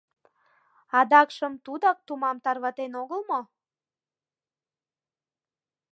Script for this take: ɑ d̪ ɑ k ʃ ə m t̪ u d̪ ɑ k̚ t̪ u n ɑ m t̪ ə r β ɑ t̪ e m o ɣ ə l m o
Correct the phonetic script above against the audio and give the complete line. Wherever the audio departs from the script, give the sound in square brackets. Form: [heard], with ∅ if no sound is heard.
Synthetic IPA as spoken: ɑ d̪ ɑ k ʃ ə m t̪ u d̪ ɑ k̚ t̪ u [m] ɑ m t̪ [ɑ] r β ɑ t̪ e [n] o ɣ ə l m o